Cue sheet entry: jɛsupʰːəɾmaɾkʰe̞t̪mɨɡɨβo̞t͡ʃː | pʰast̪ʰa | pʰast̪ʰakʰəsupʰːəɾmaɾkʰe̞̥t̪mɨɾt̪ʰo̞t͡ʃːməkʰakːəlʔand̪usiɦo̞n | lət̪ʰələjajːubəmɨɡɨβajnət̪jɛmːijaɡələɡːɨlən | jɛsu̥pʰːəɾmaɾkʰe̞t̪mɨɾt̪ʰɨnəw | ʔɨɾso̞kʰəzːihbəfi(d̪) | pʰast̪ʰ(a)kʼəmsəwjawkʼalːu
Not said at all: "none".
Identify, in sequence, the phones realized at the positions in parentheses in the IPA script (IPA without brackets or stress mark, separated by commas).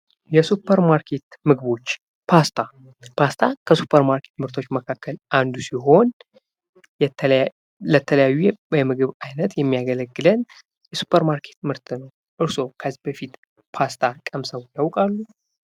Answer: t̪, a